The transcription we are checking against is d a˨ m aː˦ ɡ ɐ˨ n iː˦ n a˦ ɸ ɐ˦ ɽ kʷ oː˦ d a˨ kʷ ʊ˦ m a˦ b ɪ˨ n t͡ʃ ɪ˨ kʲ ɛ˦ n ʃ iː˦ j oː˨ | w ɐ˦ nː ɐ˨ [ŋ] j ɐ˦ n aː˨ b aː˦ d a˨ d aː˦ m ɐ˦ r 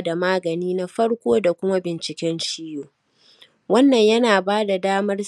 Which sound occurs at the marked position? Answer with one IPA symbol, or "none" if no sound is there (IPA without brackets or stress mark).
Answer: ɲ